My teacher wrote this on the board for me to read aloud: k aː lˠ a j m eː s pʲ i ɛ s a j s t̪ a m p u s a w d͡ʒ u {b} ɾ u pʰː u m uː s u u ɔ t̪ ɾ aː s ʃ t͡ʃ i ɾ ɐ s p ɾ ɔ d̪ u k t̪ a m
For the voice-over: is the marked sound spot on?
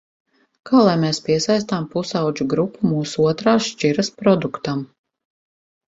no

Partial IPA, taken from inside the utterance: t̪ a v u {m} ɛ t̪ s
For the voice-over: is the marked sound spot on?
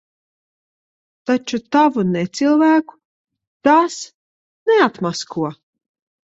no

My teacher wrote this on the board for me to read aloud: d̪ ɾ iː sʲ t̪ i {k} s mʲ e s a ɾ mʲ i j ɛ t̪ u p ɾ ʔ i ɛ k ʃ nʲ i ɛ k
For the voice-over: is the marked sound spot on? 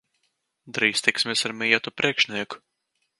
yes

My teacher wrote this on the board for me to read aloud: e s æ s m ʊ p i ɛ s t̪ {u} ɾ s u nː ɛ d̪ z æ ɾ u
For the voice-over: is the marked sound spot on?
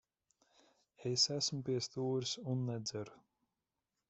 no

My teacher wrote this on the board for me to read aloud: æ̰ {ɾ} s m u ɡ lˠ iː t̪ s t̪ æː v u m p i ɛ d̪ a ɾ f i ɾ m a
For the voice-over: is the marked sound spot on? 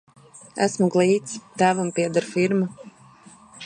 no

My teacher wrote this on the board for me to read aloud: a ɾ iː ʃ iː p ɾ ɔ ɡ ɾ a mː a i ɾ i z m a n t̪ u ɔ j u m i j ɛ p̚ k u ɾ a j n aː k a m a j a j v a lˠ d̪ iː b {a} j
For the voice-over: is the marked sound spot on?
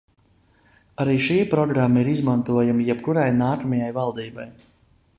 yes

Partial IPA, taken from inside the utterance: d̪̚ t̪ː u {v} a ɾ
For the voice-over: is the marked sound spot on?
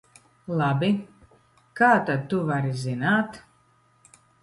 yes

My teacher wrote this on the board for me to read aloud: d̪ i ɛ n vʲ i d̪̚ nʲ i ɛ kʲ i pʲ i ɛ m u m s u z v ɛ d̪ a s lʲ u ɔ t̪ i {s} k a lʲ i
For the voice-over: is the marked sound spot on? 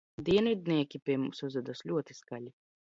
yes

